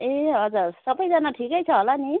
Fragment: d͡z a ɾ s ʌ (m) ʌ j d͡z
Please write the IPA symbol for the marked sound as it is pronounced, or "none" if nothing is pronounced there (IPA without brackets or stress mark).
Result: b